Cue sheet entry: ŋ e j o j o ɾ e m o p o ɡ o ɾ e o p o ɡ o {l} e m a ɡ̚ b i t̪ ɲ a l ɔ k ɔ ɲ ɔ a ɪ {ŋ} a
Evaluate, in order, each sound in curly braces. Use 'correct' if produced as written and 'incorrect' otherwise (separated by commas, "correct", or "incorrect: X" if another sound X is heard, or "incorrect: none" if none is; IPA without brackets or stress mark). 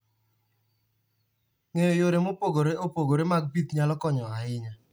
incorrect: ɾ, incorrect: ɲ